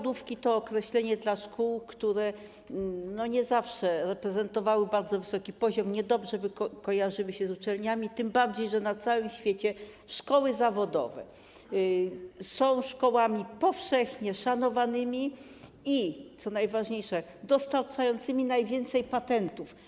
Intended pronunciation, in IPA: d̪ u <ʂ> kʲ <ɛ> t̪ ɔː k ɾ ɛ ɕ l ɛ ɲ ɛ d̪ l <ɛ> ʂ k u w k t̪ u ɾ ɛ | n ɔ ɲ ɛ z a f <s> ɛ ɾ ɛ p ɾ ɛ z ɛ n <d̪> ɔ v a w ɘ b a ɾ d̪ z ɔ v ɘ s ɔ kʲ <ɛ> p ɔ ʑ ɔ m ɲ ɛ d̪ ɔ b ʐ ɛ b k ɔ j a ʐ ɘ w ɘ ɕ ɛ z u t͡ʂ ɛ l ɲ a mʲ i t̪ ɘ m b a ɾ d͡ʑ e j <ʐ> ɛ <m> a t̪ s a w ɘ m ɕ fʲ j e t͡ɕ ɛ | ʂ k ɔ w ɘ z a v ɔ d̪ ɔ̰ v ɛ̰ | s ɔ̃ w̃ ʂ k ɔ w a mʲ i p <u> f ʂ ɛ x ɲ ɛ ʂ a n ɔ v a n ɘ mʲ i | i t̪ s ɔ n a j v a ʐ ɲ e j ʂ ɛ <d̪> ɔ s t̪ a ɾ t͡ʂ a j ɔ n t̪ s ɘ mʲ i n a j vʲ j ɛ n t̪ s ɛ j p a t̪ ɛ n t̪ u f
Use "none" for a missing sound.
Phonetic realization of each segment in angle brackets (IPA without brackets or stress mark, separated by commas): f, i, a, ʂ, t̪, i, ʐ, n, ɔ, d̪